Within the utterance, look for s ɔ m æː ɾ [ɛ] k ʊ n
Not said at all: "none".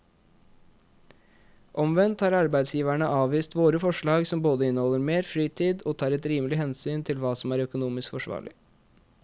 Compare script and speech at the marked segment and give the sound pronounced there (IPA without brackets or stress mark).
œ